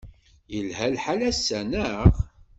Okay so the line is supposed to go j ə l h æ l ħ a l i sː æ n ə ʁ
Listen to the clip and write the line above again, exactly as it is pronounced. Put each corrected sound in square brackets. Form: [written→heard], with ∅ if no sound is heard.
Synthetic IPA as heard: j ə l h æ l ħ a l [i→æ] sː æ n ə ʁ